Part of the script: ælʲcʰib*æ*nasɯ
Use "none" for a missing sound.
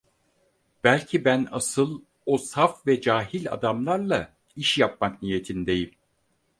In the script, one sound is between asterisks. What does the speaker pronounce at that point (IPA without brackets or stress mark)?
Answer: æ